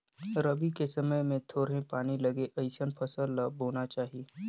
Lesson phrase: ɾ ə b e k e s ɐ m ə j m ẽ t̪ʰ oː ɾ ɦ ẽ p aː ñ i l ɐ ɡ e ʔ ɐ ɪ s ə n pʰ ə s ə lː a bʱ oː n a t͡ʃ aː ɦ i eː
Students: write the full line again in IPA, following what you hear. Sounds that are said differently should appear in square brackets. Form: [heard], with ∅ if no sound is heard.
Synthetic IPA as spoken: ɾ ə b [i] k e s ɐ m ə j m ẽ t̪ʰ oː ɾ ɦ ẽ p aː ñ i l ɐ ɡ e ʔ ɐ ɪ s ə n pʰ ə s ə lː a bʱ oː n a t͡ʃ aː ɦ i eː